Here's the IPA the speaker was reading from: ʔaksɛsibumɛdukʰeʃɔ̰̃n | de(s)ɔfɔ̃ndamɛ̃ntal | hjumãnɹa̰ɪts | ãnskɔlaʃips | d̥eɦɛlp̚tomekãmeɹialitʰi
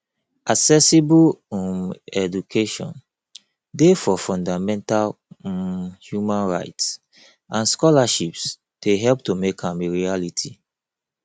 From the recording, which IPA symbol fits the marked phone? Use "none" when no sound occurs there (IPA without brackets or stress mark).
f